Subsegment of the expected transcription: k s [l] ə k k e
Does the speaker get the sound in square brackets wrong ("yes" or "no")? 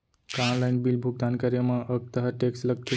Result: no